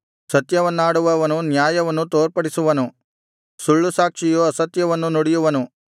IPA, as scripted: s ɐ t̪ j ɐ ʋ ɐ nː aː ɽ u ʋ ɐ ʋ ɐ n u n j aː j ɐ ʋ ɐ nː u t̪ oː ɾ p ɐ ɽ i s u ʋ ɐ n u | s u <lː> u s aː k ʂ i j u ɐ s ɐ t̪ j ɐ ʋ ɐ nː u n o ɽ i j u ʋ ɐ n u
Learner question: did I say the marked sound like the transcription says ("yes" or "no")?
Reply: no